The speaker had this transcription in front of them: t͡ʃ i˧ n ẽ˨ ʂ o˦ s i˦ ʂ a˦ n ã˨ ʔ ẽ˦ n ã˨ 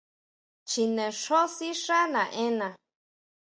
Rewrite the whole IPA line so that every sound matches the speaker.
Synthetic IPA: t͡ʃ i˧ n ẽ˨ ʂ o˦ s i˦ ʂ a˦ n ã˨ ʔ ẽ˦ n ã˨